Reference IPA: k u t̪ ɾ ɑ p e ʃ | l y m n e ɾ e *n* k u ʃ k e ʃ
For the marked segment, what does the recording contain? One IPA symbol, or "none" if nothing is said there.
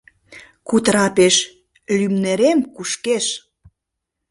m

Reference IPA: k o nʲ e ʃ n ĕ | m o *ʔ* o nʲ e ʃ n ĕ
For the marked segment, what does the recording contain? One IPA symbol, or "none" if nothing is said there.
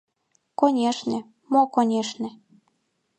k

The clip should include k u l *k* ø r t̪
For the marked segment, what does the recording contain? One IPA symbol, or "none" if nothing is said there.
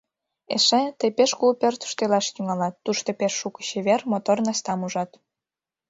p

